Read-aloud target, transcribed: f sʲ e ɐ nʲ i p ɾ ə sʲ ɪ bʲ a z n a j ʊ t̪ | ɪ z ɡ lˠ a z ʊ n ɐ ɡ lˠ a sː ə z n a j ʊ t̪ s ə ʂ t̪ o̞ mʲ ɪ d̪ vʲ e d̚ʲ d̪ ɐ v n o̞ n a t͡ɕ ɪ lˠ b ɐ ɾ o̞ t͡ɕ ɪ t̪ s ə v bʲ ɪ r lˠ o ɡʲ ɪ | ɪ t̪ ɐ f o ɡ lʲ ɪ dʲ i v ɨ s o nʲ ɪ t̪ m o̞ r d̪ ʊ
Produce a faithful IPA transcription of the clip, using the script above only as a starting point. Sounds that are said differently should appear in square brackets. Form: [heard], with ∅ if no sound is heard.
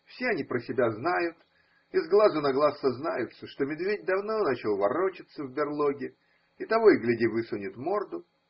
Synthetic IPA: f sʲ e ɐ nʲ i p ɾ ə sʲ ɪ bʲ a z n a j ʊ t̪ | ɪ z ɡ lˠ a z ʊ n ɐ ɡ lˠ a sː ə z n a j ʊ t̪ s ə ʂ t̪ o̞ mʲ ɪ d̪ vʲ e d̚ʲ d̪ ɐ v n o̞ n a t͡ɕ ɪ lˠ [v] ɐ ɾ o̞ t͡ɕ ɪ t̪ s ə v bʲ ɪ r lˠ o ɡʲ ɪ | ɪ t̪ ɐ [v] o ɡ lʲ ɪ dʲ i v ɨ s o nʲ ɪ t̪ m o̞ r d̪ ʊ

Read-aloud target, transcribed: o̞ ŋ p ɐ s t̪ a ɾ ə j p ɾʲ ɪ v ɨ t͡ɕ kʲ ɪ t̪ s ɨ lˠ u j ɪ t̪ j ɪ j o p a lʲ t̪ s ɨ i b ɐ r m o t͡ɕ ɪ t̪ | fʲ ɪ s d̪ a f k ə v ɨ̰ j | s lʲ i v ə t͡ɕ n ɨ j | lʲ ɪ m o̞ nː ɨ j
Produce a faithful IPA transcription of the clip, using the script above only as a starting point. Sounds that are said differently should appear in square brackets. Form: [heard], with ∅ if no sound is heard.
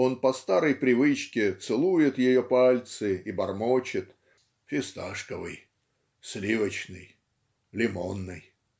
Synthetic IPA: o̞ [n] p ɐ s t̪ a ɾ ə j p ɾʲ ɪ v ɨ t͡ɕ kʲ ɪ t̪ s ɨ lˠ u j ɪ t̪ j ɪ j o p a lʲ t̪ s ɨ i b ɐ r m o t͡ɕ ɪ t̪ | fʲ ɪ s [t̪] a [ʂ] k ə v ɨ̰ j | s lʲ i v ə t͡ɕ n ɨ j | lʲ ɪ m o̞ nː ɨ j

